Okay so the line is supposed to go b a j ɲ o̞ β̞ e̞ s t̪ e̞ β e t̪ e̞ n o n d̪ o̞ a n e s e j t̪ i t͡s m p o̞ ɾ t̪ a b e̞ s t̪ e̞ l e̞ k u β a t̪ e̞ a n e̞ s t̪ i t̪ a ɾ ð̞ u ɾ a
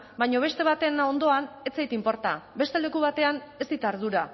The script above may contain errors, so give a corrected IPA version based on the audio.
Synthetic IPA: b a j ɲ o̞ β̞ e̞ s t̪ e̞ β a t̪ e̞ n o n d̪ o̞ a n e t͡s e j t̪ i m p o̞ ɾ t̪ a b e̞ s t̪ e̞ l e̞ k u β a t̪ e̞ a n e̞ s t̪ i t̪ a ɾ ð̞ u ɾ a